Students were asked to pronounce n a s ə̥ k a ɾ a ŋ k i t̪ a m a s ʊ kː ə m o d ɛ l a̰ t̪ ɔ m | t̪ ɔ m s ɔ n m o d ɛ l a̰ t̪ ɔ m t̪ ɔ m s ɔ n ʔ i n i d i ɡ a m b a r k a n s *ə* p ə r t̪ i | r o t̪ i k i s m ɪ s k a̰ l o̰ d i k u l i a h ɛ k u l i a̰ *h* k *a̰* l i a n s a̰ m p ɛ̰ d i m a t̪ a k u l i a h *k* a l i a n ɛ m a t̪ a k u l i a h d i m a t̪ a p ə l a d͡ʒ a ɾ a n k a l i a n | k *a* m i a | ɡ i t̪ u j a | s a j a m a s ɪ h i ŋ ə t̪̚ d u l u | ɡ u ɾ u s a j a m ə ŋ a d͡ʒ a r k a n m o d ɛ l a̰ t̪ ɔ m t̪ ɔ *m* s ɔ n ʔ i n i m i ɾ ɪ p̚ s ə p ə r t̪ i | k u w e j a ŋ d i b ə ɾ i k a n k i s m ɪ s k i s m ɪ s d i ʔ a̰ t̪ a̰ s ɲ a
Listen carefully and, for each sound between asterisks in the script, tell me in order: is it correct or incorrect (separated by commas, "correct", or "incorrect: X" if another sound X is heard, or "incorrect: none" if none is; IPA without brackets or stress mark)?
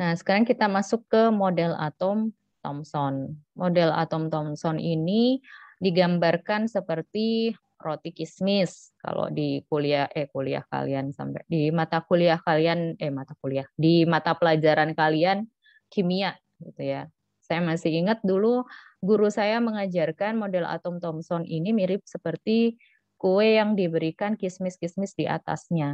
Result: correct, correct, correct, correct, incorrect: i, correct